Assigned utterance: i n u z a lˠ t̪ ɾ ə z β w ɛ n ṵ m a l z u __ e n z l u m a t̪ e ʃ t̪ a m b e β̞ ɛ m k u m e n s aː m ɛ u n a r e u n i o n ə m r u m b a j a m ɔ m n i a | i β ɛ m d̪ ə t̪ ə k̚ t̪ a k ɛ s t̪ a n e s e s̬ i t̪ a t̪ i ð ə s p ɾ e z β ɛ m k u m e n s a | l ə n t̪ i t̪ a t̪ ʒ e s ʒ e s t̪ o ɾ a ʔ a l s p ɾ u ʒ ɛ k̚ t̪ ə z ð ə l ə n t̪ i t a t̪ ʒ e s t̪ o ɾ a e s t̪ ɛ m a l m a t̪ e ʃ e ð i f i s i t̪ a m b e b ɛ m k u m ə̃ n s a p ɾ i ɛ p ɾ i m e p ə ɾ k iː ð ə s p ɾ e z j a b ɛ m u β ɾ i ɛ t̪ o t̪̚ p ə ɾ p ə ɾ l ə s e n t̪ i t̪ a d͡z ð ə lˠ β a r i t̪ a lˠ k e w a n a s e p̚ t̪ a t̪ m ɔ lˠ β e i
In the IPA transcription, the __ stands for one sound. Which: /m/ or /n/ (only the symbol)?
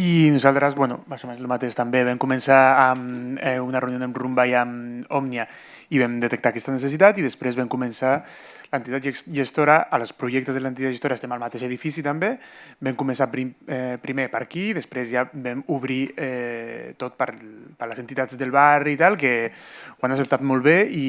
m